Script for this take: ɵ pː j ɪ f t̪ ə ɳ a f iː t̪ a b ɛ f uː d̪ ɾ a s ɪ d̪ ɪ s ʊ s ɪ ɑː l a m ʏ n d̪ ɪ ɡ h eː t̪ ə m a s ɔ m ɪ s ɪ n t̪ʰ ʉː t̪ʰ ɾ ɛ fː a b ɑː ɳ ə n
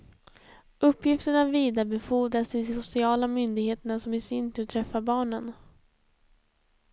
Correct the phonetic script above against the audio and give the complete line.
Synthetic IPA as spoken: ɵ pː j ɪ f t̪ ə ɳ a v iː d̪ a b ɛ f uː d̪ ɾ a s ɪ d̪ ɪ s ʊ s ɪ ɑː l a m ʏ n d̪ ɪ ɡ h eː t̪ ə ɳ a s ɔ m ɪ s ɪ n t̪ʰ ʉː t̪ʰ ɾ ɛ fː a b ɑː ɳ ə n